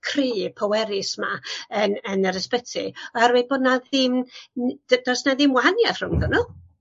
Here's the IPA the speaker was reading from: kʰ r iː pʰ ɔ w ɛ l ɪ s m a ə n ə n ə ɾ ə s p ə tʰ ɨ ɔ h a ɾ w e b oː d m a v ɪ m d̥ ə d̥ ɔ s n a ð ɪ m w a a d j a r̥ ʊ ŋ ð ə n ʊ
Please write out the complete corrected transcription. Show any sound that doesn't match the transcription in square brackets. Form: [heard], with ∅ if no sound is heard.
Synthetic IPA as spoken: kʰ r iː pʰ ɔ w ɛ [ɾ] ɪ s m a ə n ə n ə ɾ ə s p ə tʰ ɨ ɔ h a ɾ w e b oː d [n] a [ð] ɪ m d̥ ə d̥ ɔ s n a ð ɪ m w a a [n] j a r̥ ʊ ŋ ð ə n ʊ